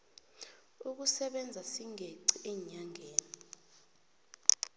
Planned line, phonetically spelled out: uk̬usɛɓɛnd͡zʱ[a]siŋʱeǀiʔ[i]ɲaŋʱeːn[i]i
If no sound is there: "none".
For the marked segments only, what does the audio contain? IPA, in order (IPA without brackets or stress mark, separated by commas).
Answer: a, ɛ, i